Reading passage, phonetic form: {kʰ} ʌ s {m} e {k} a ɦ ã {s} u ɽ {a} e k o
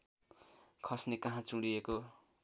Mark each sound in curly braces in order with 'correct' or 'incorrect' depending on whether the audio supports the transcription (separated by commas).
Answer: correct, incorrect, correct, incorrect, incorrect